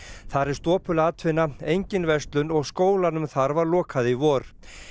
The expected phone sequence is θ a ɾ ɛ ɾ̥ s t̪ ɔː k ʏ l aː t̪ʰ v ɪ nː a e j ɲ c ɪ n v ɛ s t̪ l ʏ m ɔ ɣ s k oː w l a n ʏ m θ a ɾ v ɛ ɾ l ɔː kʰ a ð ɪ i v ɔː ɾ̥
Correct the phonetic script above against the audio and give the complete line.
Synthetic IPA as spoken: θ a ɾ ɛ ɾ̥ s t̪ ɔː p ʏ l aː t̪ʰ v ɪ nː a e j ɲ c ɪ n v ɛ s t̪ l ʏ n ɔ ɣ s k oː w l a n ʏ m θ a ɾ v a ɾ l ɔː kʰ a ð ɪ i v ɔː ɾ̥